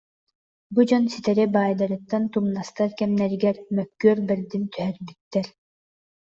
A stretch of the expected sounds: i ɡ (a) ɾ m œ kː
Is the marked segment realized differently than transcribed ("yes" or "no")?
yes